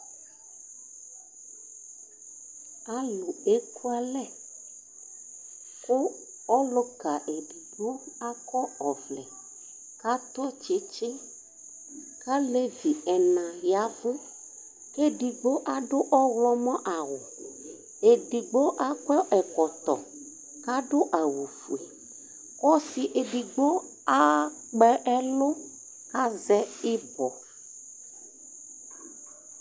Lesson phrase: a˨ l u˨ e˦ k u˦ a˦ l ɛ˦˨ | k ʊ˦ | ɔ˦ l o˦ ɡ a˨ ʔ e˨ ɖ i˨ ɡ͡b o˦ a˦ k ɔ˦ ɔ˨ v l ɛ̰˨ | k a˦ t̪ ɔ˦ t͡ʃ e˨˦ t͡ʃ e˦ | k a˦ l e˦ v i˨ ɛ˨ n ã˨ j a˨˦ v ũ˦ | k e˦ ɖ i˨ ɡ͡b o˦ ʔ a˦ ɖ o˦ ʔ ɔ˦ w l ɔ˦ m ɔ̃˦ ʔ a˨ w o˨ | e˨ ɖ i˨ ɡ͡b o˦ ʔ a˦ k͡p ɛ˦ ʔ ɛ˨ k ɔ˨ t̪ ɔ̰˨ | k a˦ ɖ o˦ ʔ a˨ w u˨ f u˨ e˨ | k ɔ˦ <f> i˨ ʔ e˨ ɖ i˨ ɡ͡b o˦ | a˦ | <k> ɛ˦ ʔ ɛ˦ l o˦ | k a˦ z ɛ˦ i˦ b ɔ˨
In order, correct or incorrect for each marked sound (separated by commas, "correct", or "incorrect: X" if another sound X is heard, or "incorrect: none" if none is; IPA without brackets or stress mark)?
incorrect: s, incorrect: k͡p